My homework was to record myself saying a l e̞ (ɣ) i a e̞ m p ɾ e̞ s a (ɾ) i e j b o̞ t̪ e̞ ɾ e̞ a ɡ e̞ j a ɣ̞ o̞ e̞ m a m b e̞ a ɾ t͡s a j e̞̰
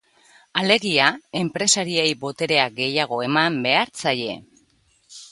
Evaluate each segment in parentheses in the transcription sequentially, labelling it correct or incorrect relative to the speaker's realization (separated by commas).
correct, correct